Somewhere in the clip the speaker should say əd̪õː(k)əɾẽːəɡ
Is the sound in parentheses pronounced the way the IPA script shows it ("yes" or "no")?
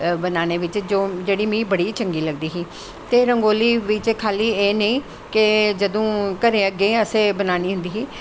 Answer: yes